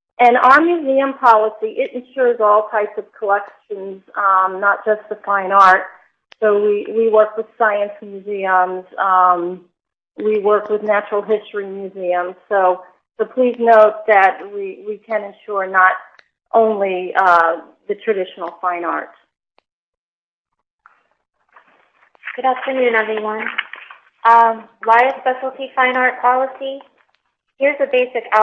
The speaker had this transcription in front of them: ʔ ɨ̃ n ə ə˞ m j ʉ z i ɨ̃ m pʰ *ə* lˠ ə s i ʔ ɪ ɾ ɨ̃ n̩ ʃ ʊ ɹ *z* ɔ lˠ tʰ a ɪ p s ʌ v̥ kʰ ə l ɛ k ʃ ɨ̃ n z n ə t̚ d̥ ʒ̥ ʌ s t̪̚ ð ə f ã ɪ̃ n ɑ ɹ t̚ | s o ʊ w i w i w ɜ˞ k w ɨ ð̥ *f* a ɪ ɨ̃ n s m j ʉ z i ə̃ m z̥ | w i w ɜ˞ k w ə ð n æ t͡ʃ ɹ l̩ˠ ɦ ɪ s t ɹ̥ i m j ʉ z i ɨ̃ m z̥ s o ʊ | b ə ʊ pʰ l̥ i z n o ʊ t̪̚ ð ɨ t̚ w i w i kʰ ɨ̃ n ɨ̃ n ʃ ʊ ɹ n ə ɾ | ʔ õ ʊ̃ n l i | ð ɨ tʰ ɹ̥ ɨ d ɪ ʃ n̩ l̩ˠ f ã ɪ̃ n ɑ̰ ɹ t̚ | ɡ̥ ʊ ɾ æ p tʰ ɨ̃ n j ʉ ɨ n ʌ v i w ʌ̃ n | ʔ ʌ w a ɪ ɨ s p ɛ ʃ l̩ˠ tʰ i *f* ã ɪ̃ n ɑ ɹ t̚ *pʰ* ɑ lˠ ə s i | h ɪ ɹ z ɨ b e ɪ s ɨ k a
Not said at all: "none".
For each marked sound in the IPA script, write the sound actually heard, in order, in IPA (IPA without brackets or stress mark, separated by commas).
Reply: ɑ, z, s, f, pʰ